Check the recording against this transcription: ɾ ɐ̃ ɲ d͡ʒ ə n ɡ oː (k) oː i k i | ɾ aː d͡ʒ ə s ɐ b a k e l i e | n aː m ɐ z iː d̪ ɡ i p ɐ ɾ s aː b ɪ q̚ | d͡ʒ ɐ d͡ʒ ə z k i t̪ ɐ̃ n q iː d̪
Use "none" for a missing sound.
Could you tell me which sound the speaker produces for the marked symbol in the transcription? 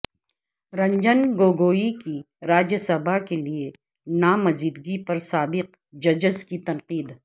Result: ɡ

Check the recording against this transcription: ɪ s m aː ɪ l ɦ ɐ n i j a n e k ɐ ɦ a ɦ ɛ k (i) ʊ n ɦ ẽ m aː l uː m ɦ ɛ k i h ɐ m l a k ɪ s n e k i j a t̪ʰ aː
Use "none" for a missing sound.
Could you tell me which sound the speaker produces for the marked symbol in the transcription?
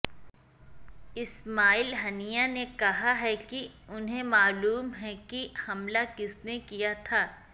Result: i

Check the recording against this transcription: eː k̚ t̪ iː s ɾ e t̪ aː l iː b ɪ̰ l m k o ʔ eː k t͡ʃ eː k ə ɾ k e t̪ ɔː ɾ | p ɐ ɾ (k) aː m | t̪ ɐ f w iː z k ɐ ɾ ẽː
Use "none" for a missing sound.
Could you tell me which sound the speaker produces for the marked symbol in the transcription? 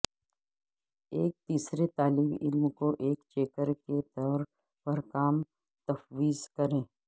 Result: k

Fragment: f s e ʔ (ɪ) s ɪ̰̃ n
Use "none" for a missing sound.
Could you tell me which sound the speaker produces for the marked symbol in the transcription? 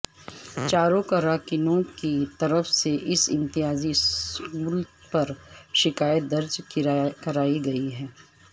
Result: ɪ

